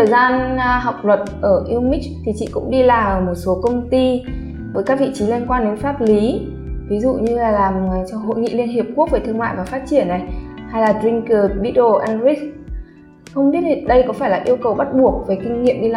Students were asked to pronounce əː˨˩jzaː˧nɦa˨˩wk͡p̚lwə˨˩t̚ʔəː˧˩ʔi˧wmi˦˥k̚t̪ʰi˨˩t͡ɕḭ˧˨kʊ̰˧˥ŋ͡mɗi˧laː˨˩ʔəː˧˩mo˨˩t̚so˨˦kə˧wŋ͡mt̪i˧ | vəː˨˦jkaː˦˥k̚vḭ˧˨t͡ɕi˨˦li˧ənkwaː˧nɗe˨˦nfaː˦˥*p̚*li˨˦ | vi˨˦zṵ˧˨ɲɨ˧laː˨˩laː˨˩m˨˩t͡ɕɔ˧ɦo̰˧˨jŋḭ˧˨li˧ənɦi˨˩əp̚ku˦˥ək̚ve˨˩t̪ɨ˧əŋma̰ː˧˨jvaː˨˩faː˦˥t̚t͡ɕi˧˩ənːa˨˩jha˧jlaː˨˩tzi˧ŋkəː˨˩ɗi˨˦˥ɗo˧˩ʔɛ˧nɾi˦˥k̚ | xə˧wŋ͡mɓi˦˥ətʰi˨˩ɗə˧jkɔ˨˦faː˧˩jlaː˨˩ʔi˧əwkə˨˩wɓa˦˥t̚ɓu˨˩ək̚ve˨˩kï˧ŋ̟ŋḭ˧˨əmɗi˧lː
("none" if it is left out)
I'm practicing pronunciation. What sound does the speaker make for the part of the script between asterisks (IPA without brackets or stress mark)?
t̚